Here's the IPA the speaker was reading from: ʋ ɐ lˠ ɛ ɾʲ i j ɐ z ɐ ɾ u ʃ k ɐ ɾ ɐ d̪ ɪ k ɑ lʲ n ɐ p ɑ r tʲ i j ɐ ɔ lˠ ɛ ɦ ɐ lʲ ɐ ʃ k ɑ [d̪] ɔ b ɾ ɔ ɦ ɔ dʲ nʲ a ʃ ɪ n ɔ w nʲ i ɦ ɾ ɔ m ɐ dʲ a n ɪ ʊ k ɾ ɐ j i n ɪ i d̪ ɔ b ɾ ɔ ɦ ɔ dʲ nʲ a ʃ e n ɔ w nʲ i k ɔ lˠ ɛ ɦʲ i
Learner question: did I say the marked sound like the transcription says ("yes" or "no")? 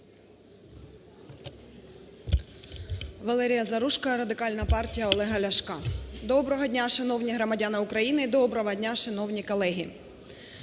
yes